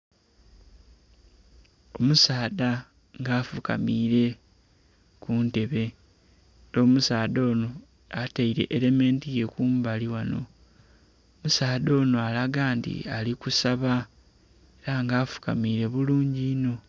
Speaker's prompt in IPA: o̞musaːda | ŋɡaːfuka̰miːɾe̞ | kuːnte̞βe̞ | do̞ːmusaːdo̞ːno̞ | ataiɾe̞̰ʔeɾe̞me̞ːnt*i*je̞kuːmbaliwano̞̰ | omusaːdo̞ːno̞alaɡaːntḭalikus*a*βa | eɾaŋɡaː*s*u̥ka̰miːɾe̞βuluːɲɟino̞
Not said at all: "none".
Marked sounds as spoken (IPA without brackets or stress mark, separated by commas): i, a, f